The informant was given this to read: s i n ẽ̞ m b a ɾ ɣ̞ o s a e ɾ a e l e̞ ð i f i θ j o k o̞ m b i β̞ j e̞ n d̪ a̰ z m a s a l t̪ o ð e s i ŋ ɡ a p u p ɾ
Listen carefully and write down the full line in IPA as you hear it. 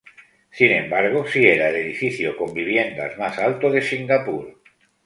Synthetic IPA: s i n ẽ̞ m b a ɾ ɣ̞ o s i e ɾ a e l e̞ ð i f i θ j o k o̞ m b i β̞ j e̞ n d̪ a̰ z m a s a l t̪ o ð e s i ŋ ɡ a p u ɾ

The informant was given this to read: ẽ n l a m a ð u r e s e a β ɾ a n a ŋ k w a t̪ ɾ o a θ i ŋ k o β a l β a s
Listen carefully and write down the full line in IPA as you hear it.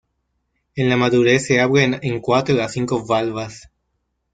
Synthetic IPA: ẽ n l a m a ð u ɾ e s e a β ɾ e n e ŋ k w a t̪ ɾ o a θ i ŋ k o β a l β a s

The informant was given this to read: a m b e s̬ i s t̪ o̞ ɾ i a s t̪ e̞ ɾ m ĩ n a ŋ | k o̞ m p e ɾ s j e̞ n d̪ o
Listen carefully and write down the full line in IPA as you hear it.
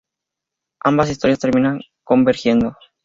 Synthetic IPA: a m b a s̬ i s t̪ o̞ ɾ j a s t̪ e̞ ɾ m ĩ n a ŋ | k o̞ m b e ɾ x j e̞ n d̪ o

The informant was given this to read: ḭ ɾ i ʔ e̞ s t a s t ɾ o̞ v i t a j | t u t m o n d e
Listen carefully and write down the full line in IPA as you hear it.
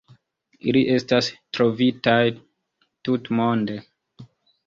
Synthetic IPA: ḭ l i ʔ e̞ s t a s t ɾ o̞ v i t a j | t u t m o n d e

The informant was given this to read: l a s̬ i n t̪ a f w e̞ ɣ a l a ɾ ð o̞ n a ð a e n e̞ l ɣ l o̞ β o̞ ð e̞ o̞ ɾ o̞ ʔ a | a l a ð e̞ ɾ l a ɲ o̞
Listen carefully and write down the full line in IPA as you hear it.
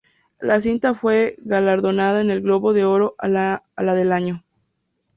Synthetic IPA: l a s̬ i n t̪ a f w e̞ ɣ a l a ɾ ð o̞ n a ð a e n e̞ l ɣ l o̞ β o̞ ð e̞ o̞ ɾ o̞ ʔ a | a l a ð e̞ l a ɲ o̞

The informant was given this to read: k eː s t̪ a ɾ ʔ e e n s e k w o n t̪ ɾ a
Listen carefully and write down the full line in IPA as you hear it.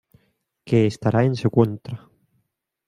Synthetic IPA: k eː s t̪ a ɾ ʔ a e n s e k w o n t̪ ɾ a

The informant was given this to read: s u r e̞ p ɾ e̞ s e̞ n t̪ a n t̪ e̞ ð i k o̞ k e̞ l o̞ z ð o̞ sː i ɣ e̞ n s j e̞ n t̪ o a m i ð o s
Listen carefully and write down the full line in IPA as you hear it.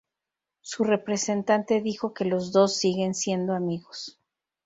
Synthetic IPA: s u r e̞ p ɾ e̞ s e̞ n t̪ a n t̪ e̞ ð i x o̞ k e̞ l o̞ z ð o̞ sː i ɣ e̞ n s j e̞ n d̪ o a m i ɣ o s

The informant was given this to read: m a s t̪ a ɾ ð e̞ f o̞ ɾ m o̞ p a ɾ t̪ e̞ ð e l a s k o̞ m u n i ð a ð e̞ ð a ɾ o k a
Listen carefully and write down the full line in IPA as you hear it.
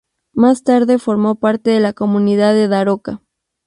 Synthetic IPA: m a s t̪ a ɾ ð e̞ f o̞ ɾ m o̞ p a ɾ t̪ e̞ ð e l a k o̞ m u n i ð a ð e̞ ð a ɾ o k a

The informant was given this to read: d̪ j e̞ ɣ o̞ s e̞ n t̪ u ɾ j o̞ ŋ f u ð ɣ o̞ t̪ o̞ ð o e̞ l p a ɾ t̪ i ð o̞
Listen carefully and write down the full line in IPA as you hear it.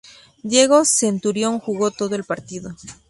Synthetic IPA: d̪ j e̞ ɣ o̞ s e̞ n t̪ u ɾ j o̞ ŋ x u ɣ o̞ t̪ o̞ ð o e̞ l p a ɾ t̪ i ð o̞

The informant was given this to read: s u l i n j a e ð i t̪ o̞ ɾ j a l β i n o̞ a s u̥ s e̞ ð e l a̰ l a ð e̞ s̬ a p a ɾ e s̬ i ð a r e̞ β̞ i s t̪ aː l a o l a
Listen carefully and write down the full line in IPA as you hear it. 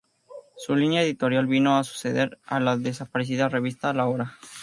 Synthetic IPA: s u l i n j a e ð i t̪ o̞ ɾ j a l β i n o̞ a s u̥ s e̞ ð e ɾ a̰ l a ð e̞ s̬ a p a ɾ e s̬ i ð a r e̞ β̞ i s t̪ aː l a o ɾ a

